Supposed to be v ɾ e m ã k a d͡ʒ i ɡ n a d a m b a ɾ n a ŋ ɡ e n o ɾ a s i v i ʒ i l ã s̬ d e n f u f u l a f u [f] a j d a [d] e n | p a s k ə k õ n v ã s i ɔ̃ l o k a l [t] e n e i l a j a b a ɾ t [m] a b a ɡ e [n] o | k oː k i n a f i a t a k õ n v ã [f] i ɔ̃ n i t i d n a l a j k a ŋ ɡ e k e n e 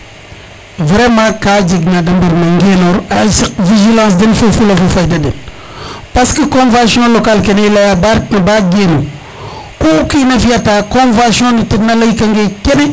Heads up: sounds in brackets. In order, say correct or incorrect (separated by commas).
correct, correct, incorrect, incorrect, correct, incorrect